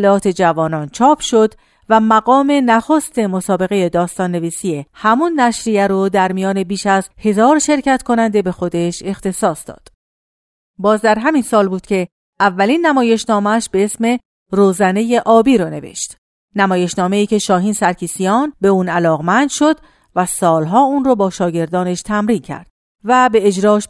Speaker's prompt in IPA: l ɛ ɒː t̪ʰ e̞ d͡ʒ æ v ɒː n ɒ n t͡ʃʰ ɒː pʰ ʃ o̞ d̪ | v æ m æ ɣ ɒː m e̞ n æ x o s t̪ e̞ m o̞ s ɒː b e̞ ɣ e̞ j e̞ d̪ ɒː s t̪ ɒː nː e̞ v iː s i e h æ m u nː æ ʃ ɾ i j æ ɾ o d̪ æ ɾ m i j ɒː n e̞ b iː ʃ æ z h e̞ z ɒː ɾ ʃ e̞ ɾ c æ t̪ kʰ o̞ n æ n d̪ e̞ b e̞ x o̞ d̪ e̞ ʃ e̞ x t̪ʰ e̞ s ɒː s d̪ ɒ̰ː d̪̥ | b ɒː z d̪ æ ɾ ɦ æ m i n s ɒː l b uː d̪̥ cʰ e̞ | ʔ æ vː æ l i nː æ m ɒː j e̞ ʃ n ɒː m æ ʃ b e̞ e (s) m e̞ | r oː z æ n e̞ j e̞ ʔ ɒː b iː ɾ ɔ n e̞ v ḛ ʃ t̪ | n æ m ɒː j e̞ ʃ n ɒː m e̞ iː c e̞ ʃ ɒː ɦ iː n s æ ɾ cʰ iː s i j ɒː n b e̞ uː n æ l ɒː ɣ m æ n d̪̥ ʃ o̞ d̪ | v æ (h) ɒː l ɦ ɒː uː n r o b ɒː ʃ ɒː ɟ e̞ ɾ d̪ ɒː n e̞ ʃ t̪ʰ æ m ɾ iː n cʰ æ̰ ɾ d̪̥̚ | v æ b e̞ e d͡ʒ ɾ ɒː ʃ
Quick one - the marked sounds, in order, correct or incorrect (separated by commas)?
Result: correct, incorrect